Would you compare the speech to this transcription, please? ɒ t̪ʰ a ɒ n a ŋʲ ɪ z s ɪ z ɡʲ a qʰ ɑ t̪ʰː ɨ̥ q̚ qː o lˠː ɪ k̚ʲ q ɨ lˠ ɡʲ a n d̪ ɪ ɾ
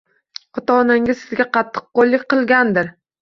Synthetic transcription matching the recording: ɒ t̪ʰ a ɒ n a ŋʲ ɪ z s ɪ z ɡʲ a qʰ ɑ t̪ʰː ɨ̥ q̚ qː o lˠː ɪ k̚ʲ q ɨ lˠ ɡʲ a n d̪ ɪ ɾ